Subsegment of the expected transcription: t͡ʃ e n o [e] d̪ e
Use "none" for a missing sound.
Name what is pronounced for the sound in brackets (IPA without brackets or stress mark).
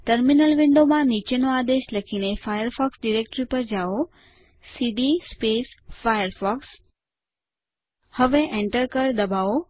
a